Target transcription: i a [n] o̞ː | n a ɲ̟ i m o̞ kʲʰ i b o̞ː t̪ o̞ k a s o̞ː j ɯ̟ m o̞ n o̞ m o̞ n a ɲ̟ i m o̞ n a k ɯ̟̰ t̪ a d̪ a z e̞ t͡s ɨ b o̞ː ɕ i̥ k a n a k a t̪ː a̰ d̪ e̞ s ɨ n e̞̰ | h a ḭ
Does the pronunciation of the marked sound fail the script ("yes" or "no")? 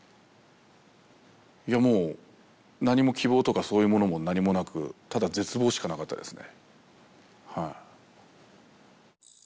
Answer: yes